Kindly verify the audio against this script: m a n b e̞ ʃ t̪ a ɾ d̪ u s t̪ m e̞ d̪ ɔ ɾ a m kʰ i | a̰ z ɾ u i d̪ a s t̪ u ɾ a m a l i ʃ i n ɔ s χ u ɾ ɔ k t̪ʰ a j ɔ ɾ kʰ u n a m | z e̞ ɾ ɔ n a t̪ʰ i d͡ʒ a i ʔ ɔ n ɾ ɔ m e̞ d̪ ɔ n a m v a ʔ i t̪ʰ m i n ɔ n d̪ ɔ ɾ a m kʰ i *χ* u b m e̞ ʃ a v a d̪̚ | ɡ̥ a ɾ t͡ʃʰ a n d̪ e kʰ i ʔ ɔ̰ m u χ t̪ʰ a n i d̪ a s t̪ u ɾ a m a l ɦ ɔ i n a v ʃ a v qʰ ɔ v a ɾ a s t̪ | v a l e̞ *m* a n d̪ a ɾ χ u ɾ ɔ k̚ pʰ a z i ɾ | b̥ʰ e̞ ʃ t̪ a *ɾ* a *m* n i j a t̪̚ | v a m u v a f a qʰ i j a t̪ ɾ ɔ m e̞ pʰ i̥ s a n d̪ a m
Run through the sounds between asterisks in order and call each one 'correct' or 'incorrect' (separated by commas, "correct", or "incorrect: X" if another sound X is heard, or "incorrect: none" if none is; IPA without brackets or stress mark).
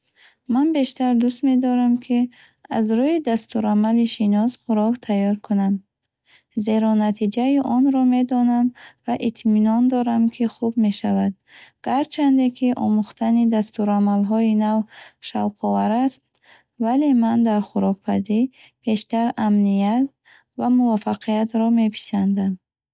correct, correct, correct, correct